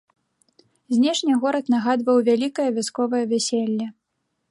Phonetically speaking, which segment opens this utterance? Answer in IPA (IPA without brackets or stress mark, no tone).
zʲ